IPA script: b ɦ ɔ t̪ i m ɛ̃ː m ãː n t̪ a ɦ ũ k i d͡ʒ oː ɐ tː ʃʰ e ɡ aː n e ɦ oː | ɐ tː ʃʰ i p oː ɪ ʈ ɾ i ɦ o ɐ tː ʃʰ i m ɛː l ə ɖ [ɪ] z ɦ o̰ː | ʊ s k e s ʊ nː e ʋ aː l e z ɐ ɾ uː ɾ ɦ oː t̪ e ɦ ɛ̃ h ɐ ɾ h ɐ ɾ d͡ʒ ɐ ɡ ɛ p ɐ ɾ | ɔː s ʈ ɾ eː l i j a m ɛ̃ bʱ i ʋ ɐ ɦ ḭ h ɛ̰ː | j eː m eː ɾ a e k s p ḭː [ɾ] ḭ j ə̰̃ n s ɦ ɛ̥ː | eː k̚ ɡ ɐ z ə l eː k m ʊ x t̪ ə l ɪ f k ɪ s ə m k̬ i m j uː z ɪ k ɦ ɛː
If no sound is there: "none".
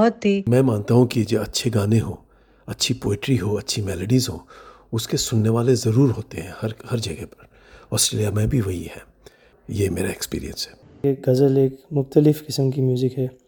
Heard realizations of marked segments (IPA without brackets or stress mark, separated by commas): i, ɾ